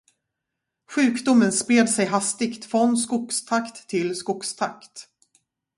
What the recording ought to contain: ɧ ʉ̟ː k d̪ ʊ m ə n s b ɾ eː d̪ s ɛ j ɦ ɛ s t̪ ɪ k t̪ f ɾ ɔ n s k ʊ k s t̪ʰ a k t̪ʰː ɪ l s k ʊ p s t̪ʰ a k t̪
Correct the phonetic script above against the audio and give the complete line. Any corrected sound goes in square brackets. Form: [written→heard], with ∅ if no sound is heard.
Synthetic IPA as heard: ɧ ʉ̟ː k d̪ ʊ m ə n s [b→p] ɾ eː d̪ s ɛ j ɦ [ɛ→a] s t̪ ɪ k t̪ f ɾ ɔ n s k ʊ k s t̪ʰ a k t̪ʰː ɪ l s k ʊ [p→k] s t̪ʰ a k t̪